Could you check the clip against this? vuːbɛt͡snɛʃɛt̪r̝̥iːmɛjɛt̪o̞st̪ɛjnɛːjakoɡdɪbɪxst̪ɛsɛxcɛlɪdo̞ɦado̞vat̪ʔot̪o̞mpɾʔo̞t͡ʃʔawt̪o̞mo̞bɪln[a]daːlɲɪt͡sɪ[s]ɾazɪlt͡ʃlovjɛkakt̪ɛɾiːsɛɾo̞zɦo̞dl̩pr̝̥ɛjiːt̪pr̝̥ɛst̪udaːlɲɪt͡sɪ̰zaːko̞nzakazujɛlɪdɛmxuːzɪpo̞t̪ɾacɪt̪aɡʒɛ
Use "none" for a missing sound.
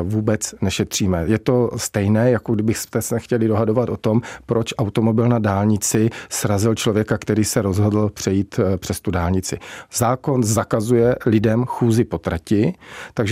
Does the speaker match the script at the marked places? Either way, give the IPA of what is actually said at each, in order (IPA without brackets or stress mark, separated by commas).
a, s